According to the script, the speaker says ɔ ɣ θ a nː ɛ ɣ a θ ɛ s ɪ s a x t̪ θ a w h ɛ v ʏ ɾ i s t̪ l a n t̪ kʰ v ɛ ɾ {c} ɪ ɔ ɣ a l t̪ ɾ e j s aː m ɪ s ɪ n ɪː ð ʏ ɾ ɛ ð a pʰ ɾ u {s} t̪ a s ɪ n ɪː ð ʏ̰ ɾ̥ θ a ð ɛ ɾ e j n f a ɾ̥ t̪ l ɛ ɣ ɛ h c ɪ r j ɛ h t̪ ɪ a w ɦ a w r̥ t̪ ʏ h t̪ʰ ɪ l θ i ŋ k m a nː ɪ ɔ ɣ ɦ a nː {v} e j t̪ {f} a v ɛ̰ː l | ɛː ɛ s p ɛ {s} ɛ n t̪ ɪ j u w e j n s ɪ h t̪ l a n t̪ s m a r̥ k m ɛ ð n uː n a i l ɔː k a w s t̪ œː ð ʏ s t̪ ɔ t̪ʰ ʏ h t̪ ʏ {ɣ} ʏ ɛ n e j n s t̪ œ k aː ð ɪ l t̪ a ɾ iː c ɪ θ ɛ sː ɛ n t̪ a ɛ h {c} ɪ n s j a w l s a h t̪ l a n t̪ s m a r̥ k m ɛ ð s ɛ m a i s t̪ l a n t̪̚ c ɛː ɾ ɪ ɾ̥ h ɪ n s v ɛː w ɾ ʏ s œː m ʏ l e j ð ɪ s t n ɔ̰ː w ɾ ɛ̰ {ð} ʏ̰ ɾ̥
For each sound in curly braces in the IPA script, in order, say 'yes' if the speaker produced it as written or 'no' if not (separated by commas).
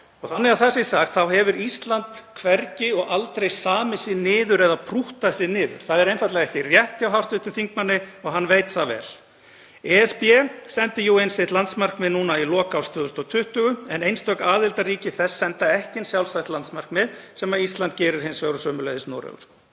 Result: yes, no, yes, no, yes, yes, yes, no